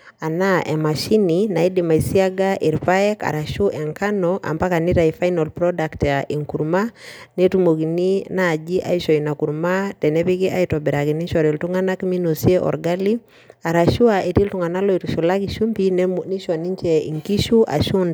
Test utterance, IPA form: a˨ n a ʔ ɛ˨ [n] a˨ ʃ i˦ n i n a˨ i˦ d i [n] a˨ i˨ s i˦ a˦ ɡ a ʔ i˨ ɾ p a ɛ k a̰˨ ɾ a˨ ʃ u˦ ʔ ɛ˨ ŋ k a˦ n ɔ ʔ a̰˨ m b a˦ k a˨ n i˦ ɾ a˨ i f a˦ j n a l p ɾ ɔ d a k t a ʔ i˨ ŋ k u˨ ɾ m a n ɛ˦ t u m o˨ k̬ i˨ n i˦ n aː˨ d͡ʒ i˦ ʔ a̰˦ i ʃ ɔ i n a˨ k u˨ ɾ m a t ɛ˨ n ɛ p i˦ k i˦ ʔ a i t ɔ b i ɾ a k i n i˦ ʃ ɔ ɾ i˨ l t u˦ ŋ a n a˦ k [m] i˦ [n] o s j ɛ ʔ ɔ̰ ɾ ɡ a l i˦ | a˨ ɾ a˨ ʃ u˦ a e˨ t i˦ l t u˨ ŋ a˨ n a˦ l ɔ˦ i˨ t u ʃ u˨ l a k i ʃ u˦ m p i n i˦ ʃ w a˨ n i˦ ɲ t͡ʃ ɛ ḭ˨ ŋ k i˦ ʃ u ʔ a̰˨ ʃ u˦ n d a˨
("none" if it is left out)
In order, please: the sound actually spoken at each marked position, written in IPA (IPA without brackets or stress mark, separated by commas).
m, m, m, n